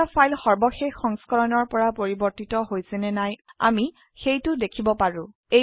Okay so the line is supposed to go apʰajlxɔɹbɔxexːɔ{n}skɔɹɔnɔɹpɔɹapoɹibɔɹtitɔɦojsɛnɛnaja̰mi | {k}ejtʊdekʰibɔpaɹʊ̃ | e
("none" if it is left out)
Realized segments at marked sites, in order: ŋ, x

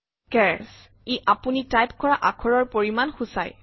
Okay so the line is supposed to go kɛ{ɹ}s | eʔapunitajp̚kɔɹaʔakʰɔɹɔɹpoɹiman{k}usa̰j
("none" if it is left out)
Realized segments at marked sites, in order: ɹ, x

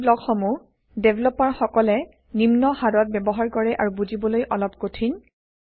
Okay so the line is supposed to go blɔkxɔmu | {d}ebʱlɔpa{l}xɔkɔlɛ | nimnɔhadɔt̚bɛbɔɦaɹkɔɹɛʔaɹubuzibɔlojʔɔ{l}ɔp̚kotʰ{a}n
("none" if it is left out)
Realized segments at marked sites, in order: d, ɹ, l, i

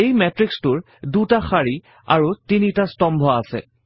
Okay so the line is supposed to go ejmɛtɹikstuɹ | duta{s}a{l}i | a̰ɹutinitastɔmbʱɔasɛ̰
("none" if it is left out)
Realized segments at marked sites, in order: x, ɹ

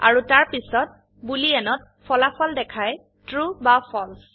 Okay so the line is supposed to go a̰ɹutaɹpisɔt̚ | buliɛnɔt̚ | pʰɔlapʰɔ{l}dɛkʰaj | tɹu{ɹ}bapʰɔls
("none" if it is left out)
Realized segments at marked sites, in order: l, none

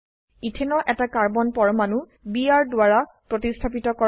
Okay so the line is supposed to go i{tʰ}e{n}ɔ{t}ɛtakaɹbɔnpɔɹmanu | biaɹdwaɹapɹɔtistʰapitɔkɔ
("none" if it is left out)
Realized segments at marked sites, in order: tʰ, n, ʔ

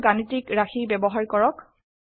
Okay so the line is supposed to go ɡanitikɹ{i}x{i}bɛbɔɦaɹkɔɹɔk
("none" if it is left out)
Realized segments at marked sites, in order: a, i

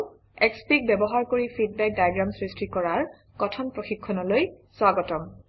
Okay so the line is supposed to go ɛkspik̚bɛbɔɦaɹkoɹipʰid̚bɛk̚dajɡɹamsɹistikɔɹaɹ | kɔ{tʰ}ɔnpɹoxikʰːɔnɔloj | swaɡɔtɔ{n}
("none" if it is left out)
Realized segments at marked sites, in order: tʰ, m

